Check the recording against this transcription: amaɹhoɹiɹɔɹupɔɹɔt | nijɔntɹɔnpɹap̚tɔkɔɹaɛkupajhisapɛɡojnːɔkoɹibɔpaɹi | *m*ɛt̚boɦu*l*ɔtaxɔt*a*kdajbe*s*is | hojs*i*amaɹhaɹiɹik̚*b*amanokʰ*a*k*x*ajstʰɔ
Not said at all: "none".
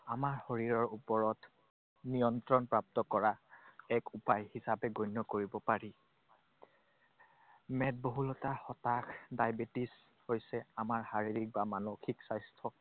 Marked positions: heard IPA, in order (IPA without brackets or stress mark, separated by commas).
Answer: m, l, a, t, ɛ, b, i, s